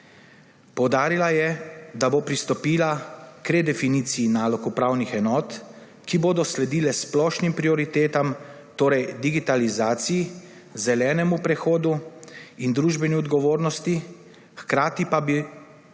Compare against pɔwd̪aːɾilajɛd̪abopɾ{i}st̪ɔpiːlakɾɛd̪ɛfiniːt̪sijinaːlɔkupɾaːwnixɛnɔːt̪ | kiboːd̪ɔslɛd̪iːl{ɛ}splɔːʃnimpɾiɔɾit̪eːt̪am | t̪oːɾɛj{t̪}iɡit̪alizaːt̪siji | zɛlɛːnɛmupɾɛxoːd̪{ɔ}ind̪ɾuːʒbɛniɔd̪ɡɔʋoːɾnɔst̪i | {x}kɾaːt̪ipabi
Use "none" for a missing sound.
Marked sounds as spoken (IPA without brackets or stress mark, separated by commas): i, ɛ, d̪, u, x